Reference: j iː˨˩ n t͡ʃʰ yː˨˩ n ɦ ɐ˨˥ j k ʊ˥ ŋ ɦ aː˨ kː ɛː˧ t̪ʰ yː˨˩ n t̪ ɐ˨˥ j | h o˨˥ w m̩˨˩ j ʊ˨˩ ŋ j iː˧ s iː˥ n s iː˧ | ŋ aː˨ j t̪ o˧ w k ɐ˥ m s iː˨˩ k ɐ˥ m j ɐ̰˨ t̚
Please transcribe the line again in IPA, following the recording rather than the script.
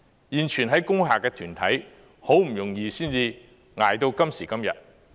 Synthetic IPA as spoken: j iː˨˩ n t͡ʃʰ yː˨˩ n ɦ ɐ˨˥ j k ʊ˥ ŋ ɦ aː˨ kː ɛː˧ t̪ʰ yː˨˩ n t̪ʰ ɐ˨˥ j | h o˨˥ w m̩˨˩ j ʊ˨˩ ŋ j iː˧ s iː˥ n t͡s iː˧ | ŋ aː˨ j t̪ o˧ w k ɐ˥ m s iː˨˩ k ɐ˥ m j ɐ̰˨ t̚